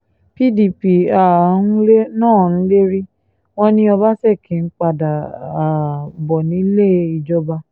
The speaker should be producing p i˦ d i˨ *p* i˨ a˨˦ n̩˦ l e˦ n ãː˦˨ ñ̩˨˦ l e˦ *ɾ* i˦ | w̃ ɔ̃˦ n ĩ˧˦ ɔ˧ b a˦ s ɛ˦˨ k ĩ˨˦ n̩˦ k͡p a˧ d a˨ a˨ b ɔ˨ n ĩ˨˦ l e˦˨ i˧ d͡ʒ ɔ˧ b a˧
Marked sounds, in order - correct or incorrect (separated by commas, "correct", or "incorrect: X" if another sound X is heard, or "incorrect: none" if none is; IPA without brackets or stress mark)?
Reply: correct, correct